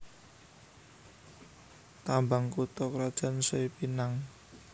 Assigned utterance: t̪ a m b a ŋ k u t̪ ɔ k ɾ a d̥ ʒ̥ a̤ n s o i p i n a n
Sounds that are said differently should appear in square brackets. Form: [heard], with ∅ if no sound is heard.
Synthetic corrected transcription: t̪ a m b a ŋ k u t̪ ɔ k ɾ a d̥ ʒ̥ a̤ n s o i p i n a [ŋ]